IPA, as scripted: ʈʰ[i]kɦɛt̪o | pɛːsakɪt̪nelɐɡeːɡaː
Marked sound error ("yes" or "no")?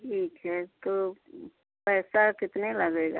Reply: yes